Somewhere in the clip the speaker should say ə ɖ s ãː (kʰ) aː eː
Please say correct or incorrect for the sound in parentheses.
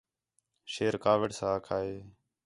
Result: correct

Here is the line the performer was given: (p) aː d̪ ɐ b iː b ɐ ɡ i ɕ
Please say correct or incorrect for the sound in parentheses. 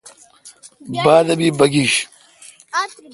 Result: incorrect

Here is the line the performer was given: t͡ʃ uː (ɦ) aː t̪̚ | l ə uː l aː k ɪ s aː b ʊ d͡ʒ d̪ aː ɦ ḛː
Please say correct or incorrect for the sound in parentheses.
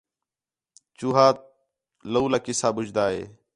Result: correct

